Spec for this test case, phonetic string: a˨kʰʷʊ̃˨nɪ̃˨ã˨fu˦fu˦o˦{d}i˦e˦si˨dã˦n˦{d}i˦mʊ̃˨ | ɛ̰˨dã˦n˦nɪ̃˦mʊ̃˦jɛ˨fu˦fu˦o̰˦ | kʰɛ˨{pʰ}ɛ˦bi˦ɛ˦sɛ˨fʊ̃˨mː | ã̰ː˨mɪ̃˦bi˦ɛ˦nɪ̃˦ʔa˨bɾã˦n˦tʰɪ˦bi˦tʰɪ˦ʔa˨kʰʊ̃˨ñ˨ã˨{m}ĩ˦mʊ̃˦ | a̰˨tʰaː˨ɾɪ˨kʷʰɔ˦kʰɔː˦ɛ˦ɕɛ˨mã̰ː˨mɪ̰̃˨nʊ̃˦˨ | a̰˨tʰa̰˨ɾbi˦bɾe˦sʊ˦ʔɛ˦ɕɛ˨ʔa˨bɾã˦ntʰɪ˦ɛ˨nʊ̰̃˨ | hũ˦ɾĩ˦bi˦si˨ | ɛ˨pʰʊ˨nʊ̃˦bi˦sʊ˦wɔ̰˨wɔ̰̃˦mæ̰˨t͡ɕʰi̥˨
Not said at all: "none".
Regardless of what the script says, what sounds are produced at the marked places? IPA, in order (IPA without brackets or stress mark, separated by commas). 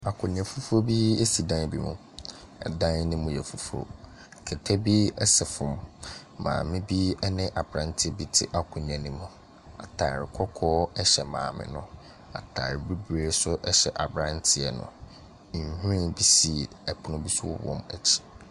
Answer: b, b, tʰ, n